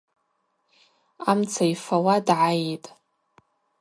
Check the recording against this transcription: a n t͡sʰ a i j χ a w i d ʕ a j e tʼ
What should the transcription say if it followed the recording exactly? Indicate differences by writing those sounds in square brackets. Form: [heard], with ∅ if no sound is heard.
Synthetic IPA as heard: a [m] t͡sʰ a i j [f] a w [a] d ʕ a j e tʼ